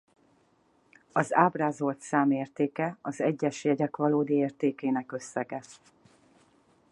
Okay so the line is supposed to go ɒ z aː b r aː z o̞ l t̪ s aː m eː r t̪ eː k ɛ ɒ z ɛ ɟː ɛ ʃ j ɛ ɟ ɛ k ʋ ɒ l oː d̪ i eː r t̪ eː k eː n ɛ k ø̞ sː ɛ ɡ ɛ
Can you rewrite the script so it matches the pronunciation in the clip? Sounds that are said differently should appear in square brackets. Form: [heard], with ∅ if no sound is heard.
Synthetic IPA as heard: ɒ z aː b r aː z o̞ l t̪ s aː m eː r t̪ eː k ɛ ɒ z ɛ ɟː ɛ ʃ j ɛ ɟ ɛ k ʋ ɒ l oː d̪ i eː r t̪ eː k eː n ɛ k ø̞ sː ɛ ɡ ɛ